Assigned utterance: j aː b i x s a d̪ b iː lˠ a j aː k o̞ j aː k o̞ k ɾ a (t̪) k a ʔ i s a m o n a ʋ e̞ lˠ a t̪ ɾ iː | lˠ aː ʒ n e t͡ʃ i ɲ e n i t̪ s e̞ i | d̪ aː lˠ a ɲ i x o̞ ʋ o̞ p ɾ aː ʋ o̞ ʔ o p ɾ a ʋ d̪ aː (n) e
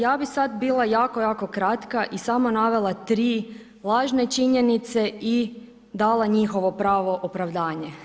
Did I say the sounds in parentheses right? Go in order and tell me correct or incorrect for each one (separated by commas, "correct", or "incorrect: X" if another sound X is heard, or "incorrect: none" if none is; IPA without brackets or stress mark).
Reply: correct, incorrect: ɲ